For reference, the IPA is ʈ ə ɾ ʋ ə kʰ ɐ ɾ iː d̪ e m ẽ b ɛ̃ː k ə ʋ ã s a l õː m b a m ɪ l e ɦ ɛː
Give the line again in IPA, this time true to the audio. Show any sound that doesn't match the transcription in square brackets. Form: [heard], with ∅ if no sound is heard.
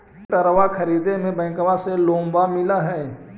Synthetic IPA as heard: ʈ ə ɾ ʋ [a] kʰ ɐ ɾ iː d̪ e m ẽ b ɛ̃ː k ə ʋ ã s [e] l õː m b a m ɪ l [a] ɦ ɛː